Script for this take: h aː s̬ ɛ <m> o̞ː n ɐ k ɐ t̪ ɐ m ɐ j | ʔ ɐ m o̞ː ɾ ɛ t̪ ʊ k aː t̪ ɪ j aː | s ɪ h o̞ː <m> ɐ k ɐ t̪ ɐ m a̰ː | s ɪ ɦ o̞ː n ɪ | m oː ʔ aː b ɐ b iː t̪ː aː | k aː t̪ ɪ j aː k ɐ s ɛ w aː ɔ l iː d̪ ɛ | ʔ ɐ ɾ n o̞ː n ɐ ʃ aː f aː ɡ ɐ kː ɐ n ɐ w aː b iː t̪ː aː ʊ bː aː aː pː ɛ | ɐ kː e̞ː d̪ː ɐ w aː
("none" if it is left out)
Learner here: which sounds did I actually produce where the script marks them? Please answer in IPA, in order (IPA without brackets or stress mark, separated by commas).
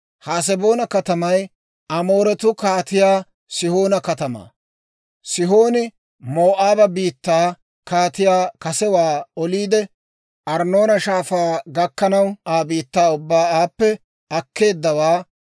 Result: b, n